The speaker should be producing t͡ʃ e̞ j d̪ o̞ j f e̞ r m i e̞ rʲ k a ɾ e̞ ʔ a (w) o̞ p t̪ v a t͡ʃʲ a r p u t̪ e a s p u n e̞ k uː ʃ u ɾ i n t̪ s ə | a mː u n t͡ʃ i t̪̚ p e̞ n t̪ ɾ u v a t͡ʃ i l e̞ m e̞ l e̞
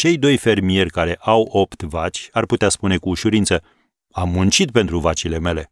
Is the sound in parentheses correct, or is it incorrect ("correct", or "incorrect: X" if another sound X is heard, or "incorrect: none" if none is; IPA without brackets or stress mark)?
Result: correct